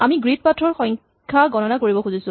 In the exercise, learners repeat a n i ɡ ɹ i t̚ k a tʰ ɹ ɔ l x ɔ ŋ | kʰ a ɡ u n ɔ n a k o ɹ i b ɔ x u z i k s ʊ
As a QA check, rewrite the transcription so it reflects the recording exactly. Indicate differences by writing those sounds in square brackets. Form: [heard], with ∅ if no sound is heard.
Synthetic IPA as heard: a [m] i ɡ ɹ i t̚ [p] a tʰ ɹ ɔ [ɹ] x ɔ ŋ | kʰ a ɡ [ɔ] n ɔ n a k o ɹ i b ɔ x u z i [∅] s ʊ